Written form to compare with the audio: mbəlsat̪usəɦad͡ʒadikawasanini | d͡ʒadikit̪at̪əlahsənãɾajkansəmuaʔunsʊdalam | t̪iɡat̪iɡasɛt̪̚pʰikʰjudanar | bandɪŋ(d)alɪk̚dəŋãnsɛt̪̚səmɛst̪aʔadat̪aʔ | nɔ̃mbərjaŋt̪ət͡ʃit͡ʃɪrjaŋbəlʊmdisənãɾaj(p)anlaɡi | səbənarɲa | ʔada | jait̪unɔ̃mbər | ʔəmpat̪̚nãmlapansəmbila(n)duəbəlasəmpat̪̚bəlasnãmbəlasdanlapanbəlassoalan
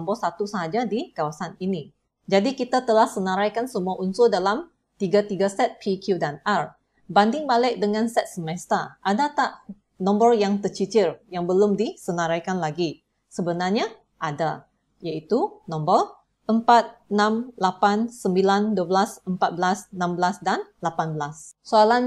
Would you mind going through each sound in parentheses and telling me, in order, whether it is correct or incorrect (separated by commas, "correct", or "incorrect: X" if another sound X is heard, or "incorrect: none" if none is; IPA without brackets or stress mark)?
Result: incorrect: b, incorrect: k, correct